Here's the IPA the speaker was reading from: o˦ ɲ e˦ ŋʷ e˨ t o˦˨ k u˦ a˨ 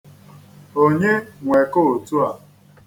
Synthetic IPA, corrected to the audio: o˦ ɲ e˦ ŋʷ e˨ k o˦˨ t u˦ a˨